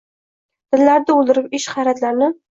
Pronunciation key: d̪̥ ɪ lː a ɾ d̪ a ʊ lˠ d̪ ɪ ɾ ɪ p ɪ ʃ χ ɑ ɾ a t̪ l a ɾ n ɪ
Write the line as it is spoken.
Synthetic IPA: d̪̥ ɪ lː a ɾ d̪ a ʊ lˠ d̪ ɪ ɾ ɪ p ɪ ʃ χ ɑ ɾ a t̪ l a ɾ n ɪ